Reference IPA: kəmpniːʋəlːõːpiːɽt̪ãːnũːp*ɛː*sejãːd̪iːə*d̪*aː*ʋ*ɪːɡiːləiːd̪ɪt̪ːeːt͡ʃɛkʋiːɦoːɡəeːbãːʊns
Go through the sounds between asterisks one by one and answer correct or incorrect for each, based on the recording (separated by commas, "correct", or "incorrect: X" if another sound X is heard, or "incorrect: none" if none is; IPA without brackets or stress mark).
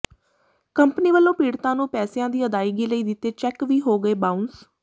correct, correct, incorrect: none